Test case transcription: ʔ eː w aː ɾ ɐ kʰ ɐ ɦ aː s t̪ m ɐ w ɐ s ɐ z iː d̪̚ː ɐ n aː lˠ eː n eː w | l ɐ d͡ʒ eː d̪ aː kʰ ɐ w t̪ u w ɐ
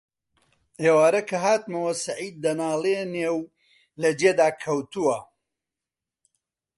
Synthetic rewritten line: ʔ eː w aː ɾ ɐ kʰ ɐ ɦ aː t̪ m ɐ w ɐ s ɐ ʕ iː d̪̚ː ɐ n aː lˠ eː n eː w | l ɐ d͡ʒ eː d̪ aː kʰ ɐ w t̪ u w ɐ